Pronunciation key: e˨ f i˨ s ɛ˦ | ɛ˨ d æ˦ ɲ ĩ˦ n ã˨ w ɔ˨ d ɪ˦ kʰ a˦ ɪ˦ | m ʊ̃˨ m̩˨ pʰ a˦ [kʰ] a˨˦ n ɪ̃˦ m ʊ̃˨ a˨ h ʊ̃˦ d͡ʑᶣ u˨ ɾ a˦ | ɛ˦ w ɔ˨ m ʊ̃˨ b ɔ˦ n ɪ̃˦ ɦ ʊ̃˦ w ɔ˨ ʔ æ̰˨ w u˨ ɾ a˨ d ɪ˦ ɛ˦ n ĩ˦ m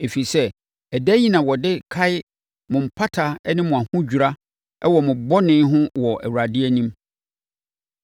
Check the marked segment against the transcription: incorrect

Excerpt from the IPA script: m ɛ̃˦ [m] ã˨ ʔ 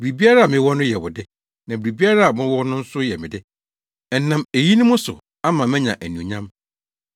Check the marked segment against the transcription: incorrect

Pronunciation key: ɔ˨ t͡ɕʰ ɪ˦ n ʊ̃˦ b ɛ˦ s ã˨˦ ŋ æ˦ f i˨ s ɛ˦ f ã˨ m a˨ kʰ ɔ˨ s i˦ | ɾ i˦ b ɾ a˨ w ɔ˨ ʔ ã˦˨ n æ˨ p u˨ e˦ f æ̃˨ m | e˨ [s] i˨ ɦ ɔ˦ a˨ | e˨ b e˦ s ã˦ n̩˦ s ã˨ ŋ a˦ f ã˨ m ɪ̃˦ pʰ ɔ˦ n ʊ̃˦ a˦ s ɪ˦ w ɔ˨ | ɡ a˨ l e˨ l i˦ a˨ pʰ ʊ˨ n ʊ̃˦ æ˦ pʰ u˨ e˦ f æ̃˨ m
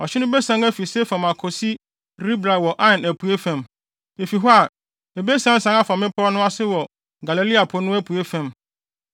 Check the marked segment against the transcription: incorrect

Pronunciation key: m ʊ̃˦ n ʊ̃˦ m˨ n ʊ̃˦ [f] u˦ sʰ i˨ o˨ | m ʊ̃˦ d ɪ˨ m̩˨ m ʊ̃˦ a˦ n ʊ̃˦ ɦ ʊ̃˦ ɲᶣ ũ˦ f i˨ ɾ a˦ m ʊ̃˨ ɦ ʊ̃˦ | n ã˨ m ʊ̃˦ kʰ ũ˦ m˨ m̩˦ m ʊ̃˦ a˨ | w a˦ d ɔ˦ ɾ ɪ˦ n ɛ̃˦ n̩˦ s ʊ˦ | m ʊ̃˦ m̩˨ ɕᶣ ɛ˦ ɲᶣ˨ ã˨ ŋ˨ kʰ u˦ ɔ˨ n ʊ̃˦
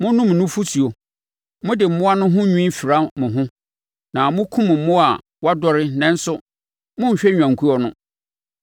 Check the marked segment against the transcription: correct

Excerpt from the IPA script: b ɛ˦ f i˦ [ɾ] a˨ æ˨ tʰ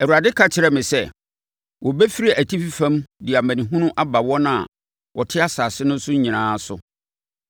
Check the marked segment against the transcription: correct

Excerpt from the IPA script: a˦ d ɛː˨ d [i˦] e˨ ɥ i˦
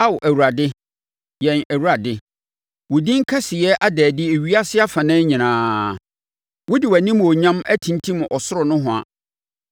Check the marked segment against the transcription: incorrect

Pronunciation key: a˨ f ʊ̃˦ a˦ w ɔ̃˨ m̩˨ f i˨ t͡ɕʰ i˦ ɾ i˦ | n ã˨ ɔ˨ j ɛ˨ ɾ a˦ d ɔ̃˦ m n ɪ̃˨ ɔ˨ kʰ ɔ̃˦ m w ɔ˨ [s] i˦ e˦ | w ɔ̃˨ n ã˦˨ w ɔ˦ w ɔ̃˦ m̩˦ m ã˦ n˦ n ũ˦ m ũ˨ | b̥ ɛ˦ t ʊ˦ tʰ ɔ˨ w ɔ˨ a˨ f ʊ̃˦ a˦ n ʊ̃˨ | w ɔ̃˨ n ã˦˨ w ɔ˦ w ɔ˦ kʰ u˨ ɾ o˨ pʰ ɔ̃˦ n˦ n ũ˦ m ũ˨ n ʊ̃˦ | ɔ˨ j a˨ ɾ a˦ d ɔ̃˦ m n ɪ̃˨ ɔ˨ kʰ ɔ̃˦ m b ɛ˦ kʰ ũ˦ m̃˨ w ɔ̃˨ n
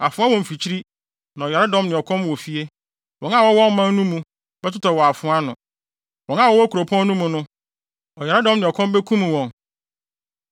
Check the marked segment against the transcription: incorrect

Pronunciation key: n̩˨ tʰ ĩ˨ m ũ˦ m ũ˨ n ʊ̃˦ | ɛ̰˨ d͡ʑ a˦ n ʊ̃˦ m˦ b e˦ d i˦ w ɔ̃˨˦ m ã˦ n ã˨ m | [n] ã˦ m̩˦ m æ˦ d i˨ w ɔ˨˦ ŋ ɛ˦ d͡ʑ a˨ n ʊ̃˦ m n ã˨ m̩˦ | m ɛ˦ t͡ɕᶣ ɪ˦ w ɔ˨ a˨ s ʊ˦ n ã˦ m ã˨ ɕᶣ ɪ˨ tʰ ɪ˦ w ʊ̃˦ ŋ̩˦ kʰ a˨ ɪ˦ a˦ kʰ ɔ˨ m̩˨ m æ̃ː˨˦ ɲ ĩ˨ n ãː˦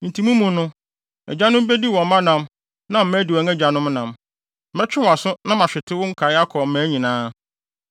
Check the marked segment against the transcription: correct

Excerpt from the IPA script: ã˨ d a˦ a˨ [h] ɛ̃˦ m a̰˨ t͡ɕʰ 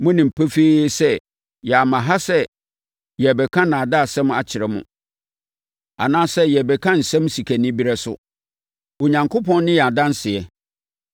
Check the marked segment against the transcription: incorrect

